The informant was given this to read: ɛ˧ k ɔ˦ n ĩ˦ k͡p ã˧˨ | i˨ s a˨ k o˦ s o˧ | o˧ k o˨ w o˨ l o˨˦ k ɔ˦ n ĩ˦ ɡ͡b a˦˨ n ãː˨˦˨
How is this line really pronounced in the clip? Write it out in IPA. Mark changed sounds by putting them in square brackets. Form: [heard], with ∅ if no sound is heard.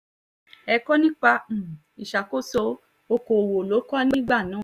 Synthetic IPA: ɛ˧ k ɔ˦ n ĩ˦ k͡p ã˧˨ | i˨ [ʃ] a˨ k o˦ s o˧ | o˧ k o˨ w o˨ l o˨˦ k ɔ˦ n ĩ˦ ɡ͡b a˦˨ n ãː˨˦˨